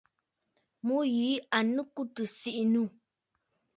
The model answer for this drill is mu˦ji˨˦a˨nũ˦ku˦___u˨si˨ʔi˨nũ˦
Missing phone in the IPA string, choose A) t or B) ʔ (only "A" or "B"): A